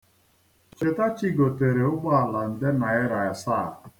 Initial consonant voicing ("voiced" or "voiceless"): voiceless